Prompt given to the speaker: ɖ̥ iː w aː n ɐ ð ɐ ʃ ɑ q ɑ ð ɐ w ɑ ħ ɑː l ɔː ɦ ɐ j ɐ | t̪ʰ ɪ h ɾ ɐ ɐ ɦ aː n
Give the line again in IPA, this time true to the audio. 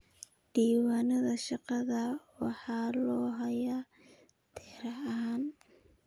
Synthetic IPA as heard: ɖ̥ iː w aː n ɐ ð ɐ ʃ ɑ q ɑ ð ɐ w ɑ ħ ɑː l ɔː ɦ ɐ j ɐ | t̪ʰ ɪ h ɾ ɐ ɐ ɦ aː n